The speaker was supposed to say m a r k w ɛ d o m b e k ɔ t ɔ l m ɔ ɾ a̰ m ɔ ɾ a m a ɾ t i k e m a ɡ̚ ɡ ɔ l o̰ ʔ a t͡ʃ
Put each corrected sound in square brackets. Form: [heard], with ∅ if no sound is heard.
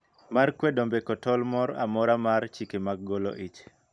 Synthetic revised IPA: m a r k w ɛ d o m b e k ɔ t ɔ l m ɔ ɾ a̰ m ɔ ɾ a m a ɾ [t͡ʃ] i k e m a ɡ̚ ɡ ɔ l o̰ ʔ [i] t͡ʃ